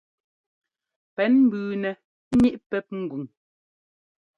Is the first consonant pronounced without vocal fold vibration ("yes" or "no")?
yes